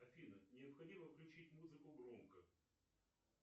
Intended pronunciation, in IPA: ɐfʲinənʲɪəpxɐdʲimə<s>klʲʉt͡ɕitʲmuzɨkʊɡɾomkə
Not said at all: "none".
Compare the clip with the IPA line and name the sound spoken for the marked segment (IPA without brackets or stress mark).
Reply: f